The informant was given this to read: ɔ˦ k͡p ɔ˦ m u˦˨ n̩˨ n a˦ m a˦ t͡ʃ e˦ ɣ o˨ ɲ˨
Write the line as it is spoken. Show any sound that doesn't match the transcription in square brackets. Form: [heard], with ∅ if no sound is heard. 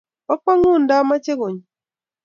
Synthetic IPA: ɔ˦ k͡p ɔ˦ [ŋ] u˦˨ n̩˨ [d] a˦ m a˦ t͡ʃ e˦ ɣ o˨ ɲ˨